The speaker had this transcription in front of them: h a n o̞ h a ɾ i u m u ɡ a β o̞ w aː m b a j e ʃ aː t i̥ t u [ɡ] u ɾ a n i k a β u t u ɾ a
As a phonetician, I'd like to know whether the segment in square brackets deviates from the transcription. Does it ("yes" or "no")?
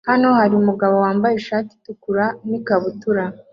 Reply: yes